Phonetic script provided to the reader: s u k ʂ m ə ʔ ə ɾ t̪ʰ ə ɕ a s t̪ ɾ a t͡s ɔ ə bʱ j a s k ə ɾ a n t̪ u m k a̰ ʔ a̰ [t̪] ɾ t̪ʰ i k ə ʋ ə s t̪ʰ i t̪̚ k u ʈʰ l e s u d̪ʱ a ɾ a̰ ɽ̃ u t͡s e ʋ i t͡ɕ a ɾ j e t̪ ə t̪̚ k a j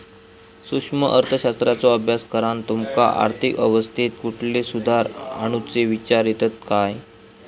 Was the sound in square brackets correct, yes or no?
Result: no